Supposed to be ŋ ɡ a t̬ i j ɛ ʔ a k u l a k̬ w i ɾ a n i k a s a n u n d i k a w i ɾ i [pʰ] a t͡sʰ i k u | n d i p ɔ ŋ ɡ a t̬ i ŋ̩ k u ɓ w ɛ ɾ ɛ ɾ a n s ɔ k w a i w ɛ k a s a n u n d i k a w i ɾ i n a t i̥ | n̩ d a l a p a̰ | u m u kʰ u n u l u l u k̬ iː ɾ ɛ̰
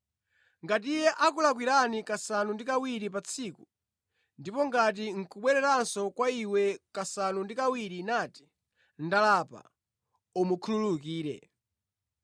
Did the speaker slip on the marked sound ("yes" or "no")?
yes